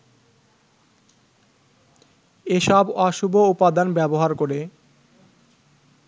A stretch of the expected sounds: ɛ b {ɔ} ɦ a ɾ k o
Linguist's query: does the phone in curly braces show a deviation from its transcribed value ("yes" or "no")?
yes